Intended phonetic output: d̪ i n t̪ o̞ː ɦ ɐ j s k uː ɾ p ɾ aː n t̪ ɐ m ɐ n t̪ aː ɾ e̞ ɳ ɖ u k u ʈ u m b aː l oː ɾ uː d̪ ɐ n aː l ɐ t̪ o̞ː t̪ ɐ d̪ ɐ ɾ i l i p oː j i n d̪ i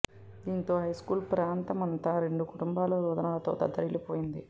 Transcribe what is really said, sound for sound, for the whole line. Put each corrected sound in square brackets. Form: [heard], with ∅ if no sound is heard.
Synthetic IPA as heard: d̪ [iː] n t̪ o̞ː ɦ ɐ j s k uː [l] p ɾ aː n t̪ ɐ m ɐ n t̪ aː ɾ e̞ ɳ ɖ u k u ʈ u m b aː l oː ɾ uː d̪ ɐ n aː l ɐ t̪ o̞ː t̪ ɐ d̪ ɐ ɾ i l i p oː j i n d̪ i